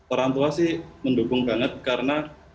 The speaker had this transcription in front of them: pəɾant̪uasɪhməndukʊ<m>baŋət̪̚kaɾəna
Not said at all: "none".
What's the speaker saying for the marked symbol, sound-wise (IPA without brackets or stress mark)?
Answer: ŋ